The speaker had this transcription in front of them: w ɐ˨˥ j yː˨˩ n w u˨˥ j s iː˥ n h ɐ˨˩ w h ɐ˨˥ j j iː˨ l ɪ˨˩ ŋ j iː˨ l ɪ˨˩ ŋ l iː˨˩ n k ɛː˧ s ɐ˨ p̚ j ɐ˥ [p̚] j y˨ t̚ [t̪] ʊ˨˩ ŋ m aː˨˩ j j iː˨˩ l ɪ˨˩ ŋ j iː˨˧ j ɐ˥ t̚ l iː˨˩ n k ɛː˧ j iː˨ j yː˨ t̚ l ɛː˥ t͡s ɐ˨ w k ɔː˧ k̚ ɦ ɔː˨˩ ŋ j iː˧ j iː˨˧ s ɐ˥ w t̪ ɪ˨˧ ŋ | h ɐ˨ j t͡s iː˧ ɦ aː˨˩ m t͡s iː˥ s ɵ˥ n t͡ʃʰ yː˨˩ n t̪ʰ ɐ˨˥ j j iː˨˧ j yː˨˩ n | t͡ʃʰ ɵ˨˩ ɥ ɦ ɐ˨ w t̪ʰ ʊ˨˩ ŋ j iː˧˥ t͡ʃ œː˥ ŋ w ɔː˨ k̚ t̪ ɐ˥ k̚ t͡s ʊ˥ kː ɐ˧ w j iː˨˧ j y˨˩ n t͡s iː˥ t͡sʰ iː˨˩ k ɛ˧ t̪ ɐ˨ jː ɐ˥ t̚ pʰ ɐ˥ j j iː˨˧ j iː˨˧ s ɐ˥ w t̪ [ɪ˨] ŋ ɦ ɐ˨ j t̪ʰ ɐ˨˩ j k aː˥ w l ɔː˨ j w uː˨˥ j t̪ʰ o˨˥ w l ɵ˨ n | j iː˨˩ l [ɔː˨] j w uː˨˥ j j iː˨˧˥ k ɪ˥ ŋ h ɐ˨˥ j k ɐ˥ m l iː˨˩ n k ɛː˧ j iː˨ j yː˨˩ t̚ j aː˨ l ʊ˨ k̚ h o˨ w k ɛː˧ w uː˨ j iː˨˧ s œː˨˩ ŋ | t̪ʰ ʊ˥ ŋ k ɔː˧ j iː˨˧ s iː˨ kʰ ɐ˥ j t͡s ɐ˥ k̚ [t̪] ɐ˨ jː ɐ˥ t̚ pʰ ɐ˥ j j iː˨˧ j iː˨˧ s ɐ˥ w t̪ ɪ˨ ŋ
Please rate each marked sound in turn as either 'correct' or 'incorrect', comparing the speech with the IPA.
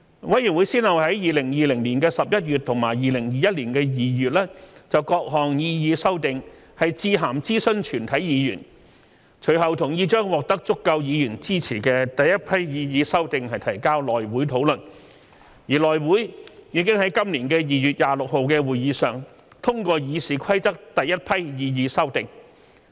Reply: incorrect, incorrect, correct, correct, correct

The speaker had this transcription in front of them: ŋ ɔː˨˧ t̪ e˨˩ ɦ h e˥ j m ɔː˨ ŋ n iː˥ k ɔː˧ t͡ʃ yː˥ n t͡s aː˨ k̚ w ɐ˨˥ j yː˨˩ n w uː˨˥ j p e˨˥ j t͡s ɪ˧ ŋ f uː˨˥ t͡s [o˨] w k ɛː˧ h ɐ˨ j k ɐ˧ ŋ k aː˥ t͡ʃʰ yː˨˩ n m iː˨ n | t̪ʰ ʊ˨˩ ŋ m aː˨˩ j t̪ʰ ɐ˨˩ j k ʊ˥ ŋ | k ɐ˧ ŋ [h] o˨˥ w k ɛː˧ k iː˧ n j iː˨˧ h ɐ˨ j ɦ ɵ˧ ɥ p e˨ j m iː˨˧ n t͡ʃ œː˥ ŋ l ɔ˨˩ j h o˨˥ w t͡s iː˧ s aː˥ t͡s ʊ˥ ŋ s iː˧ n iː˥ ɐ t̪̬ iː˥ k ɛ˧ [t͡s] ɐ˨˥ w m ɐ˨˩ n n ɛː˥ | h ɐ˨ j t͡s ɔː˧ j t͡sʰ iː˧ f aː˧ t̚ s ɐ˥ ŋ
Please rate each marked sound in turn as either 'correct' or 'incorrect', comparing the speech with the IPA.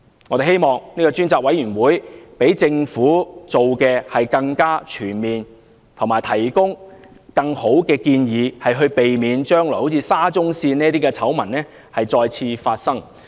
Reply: correct, correct, incorrect

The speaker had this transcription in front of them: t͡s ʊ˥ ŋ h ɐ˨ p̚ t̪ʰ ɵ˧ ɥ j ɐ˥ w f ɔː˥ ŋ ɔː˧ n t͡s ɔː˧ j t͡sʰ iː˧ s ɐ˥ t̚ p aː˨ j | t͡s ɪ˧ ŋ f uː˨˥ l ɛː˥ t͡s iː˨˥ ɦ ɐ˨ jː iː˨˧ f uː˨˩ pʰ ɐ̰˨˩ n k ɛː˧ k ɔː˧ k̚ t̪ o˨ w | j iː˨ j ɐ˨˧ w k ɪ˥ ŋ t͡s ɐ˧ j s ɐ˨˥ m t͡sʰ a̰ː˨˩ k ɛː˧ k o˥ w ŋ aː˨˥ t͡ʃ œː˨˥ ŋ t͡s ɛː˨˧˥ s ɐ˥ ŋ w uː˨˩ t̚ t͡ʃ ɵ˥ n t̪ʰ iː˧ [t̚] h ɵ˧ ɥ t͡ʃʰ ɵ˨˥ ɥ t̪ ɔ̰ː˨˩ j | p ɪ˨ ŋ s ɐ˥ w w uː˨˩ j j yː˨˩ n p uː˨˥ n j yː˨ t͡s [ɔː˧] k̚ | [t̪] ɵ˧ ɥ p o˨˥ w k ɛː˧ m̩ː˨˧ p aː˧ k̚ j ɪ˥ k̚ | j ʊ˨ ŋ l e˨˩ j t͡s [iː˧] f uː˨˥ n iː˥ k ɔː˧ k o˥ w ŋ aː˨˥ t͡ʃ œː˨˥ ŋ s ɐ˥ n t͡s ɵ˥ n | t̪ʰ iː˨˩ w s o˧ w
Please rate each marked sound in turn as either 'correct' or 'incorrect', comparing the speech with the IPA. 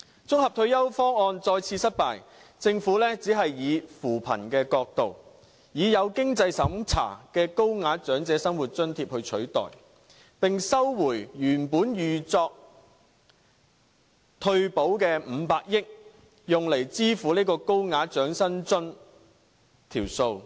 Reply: incorrect, correct, incorrect, incorrect

